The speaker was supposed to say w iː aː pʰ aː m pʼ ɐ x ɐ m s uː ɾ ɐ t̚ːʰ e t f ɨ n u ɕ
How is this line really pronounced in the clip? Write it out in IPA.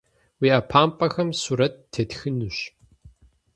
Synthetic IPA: w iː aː pʰ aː m pʼ ɐ x ɐ m s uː ɾ ɐ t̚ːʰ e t x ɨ n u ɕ

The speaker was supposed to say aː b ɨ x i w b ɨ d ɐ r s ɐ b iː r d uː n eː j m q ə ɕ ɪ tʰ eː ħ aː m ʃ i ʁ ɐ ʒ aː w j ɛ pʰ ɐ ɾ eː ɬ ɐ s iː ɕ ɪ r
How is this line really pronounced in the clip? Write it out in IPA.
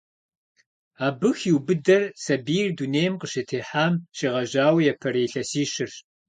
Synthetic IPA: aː b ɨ x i w b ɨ d ɐ r s ɐ b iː r d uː n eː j m q ə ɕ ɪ tʰ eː ħ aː m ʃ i ʁ ɐ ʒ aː w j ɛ pʰ ɐ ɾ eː ɬ ɐ s iː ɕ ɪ r

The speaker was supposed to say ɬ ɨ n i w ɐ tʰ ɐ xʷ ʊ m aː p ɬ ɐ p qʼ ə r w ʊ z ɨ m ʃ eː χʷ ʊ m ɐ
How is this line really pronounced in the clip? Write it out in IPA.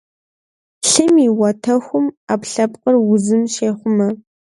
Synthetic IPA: ɬ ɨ m i w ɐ tʰ ɐ xʷ ʊ m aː p ɬ ɐ p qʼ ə r w ʊ z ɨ m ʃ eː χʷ ʊ m ɐ

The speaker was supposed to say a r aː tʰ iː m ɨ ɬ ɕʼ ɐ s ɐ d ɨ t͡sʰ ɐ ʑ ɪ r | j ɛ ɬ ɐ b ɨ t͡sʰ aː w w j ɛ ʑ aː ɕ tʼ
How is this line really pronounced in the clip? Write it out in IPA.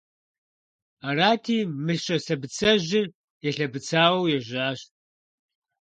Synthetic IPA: a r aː tʰ iː m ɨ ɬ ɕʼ ɐ s ɐ b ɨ t͡sʰ ɐ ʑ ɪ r | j ɛ ɬ ɐ b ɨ t͡sʰ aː w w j ɛ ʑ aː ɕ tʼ

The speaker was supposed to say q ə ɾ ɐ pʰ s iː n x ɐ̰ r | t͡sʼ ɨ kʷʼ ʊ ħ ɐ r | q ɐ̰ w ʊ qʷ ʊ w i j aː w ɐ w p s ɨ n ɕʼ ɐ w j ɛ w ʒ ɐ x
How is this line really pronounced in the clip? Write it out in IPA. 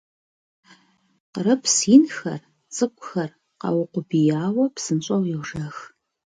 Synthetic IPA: q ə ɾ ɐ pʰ s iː n x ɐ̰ r | t͡sʼ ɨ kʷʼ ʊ x ɐ r | q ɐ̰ w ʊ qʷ ʊ b i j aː w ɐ p s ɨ n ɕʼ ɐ w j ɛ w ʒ ɐ x

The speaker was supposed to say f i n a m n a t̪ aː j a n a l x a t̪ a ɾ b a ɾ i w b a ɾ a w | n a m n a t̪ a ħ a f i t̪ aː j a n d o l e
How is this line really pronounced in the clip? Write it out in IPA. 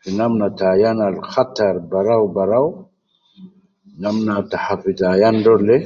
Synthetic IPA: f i n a m n a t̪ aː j a n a l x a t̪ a ɾ b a ɾ a w b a ɾ a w | n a m n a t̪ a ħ a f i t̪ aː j a n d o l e

